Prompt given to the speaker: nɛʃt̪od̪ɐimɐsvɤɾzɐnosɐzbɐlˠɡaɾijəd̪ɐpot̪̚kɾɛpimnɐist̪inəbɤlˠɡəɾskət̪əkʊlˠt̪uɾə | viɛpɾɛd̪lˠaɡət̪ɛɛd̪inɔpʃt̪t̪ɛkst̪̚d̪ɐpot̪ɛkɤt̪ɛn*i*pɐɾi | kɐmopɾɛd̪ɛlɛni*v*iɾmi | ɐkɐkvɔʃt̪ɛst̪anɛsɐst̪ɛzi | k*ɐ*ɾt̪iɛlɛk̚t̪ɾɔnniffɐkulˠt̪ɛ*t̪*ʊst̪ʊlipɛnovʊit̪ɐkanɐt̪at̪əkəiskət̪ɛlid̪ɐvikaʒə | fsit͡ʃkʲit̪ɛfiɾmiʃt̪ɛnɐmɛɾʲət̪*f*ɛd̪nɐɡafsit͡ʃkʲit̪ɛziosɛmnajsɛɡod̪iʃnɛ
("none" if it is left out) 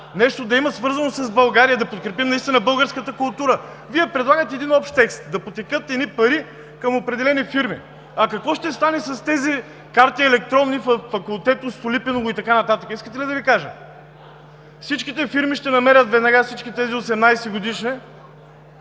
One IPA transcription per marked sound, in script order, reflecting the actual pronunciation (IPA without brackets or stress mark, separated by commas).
i, f, a, t̪, v